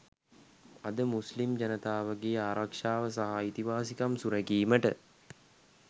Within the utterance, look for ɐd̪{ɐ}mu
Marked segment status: incorrect: ə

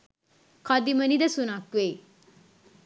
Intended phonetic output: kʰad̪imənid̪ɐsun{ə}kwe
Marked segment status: incorrect: a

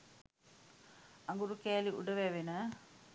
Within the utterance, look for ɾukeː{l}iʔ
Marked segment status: correct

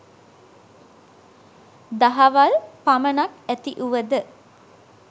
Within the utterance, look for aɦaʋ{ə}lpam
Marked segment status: incorrect: a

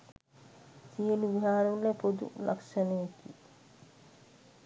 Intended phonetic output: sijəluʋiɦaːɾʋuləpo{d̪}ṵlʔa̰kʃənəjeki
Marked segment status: correct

